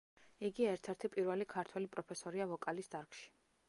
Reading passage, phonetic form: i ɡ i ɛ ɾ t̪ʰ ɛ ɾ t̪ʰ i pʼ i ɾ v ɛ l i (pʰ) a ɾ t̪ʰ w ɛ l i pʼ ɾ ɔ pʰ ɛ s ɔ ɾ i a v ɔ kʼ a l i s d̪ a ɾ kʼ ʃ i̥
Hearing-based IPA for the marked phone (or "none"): kʰ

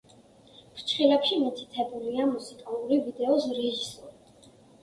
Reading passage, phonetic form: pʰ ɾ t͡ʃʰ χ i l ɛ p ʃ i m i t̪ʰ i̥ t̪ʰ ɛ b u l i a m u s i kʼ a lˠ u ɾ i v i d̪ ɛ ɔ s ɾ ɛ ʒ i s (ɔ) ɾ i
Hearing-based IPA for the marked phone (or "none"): ɔ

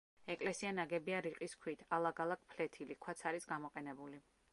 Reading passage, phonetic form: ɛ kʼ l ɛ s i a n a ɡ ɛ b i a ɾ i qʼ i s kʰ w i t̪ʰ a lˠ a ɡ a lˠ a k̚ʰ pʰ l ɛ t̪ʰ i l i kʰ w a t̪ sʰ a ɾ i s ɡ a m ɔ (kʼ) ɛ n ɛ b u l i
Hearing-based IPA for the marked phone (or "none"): qʼ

